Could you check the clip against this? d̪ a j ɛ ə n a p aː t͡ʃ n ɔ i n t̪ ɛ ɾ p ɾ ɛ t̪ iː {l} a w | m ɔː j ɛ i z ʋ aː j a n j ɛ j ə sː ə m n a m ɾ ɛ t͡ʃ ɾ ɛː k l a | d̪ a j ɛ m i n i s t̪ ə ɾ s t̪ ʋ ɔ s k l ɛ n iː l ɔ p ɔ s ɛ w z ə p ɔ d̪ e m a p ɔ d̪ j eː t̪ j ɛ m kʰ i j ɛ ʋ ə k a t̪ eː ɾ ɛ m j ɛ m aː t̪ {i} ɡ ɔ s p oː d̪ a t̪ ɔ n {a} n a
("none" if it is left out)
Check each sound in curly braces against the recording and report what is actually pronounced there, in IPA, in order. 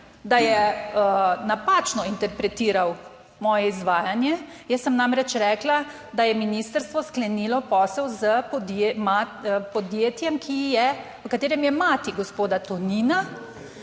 ɾ, i, i

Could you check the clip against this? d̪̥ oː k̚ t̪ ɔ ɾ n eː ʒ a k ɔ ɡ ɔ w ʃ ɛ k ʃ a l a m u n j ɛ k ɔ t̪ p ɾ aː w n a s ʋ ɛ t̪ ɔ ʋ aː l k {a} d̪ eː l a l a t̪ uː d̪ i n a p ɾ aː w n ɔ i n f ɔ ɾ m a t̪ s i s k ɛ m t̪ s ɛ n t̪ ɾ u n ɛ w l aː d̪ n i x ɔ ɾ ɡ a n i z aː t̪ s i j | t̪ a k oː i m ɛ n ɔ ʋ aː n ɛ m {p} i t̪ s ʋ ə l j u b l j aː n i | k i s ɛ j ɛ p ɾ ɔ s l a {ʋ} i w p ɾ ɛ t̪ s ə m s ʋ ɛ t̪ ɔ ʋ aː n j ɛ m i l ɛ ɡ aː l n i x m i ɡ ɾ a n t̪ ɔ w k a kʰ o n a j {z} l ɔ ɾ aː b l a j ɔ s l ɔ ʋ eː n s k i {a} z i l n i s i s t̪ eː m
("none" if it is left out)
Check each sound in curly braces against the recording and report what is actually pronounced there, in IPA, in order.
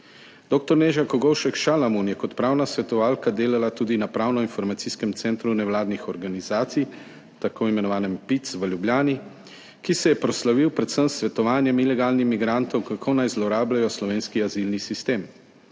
a, p, ʋ, z, a

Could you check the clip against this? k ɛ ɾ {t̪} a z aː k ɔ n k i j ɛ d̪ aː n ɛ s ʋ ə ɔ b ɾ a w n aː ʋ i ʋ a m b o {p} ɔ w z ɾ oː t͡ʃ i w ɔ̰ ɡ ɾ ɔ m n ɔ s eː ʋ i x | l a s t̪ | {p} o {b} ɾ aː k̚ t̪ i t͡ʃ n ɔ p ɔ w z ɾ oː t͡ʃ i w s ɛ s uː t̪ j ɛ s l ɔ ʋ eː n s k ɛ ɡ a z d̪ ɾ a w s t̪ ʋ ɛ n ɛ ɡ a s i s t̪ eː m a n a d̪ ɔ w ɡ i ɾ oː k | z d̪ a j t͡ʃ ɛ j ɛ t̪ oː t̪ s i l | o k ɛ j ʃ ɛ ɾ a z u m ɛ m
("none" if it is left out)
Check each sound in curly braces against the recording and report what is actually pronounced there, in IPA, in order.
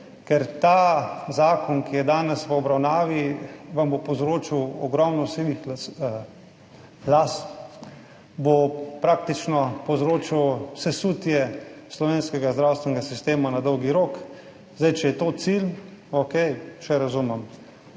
t̪, p, b, p

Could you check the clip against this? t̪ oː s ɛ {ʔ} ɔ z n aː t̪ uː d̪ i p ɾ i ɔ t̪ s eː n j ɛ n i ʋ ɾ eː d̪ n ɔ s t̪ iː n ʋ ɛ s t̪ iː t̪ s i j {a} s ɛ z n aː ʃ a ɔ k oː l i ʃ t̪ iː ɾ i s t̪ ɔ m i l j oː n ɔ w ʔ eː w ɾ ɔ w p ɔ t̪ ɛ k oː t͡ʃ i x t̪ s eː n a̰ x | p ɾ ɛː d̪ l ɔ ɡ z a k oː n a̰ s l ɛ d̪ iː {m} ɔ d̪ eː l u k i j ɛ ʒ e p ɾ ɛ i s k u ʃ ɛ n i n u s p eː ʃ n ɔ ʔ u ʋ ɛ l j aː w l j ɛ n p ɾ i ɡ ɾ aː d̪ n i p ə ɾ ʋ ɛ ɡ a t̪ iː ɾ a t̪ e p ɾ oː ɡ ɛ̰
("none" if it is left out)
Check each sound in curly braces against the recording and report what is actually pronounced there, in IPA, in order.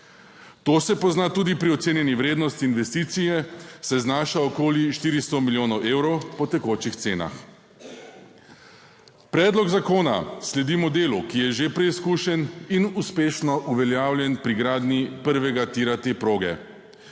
p, ɛ, m

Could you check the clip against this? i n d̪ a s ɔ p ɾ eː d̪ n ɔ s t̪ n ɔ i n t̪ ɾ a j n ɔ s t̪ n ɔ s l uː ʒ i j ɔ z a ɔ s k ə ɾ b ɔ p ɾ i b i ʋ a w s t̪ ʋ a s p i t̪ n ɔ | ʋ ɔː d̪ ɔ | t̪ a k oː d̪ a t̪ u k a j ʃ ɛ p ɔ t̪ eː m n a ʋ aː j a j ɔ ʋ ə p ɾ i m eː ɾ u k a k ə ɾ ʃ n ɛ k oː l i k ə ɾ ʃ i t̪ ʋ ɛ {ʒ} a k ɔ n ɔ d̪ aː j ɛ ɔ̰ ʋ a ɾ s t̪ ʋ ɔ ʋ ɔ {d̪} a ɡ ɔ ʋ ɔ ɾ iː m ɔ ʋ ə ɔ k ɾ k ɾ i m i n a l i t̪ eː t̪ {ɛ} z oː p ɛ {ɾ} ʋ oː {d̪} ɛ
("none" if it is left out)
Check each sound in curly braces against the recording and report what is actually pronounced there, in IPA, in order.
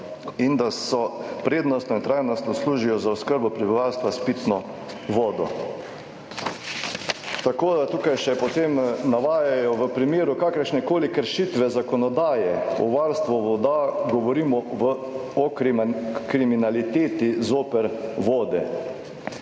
z, d̪, i, ɾ, d̪

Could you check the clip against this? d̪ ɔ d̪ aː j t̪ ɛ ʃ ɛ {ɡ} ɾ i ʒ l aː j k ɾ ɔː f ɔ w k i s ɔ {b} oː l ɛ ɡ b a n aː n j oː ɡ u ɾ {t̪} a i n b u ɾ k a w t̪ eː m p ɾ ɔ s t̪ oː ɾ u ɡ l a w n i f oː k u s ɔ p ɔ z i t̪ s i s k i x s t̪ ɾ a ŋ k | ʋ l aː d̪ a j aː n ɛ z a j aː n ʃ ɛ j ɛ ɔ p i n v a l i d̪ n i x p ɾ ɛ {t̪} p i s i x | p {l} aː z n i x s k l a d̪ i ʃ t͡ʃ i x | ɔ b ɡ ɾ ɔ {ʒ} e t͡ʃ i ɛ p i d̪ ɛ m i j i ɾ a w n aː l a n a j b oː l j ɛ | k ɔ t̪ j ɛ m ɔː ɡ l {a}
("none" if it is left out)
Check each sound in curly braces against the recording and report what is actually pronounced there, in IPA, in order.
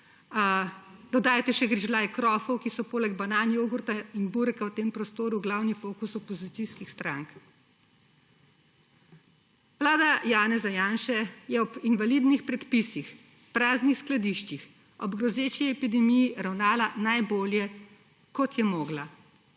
ɡ, p, t̪, t̪, ɾ, z, a

